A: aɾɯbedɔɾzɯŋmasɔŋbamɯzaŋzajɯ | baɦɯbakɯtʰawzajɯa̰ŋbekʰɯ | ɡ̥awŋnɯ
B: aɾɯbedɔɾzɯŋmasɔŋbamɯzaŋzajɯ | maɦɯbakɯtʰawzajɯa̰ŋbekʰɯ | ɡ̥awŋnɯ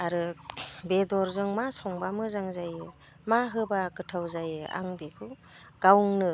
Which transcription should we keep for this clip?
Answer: B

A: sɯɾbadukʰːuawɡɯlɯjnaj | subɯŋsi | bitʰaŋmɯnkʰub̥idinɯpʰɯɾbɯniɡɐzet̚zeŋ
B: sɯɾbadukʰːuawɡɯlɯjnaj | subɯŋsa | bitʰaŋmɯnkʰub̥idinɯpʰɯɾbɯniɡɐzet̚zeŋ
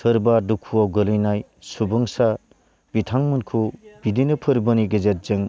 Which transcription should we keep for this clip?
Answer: B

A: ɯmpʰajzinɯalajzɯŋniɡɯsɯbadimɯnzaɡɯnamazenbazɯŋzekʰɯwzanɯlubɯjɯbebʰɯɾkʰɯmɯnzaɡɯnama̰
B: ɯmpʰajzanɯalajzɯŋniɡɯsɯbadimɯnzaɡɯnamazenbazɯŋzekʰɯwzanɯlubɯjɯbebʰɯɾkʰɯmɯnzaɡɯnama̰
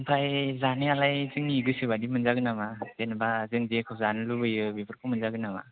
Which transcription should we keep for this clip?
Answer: B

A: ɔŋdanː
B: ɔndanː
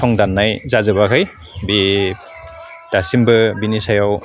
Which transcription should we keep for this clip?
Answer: A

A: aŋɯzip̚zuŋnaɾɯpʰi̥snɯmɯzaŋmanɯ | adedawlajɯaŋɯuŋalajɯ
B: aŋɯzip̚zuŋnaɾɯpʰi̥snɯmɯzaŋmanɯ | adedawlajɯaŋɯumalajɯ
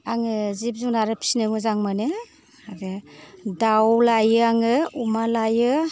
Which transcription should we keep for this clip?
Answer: B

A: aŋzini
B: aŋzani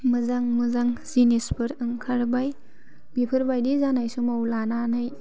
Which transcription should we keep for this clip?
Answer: A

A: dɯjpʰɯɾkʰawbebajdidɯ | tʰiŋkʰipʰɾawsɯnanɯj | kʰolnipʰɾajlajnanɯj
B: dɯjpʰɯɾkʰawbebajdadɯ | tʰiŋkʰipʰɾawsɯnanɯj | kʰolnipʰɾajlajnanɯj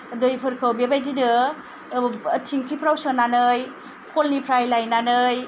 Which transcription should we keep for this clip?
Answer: A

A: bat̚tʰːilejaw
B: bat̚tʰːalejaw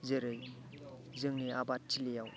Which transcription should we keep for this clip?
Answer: A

